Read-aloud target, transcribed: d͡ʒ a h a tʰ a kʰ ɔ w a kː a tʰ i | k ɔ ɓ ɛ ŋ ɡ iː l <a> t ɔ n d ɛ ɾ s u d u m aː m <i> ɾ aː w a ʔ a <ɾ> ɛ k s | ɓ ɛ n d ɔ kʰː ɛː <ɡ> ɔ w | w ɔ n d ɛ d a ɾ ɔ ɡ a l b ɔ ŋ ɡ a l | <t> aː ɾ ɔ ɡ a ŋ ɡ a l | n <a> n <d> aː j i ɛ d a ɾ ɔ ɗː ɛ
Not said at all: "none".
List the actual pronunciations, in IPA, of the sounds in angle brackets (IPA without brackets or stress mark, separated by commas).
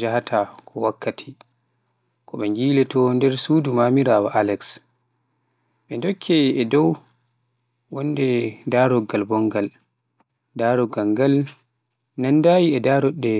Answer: ɛ, i, l, d, d, a, d